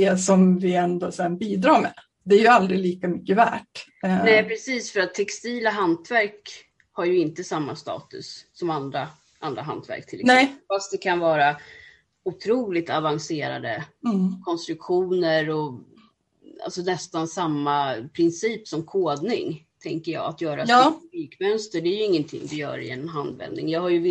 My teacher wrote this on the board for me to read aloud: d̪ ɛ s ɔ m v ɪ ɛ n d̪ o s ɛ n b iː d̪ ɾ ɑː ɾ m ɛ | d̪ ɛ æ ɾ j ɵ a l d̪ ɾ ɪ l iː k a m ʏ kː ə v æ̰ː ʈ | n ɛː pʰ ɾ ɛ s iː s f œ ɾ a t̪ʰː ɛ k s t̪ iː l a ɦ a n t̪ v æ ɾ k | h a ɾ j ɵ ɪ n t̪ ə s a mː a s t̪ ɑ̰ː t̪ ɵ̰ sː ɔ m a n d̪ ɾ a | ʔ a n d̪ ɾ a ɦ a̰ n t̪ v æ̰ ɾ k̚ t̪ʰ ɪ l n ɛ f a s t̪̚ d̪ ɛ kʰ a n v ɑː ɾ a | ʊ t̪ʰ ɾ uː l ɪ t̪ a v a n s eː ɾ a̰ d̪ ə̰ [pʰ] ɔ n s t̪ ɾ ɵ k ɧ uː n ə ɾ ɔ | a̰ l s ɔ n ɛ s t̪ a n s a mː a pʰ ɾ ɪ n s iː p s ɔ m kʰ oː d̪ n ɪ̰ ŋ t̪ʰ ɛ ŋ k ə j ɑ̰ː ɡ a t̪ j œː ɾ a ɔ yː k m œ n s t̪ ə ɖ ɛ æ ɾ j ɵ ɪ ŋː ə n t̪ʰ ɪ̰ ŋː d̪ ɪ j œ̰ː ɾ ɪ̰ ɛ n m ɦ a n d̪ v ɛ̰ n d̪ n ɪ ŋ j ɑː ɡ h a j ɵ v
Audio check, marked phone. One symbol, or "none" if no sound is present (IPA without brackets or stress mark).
kʰ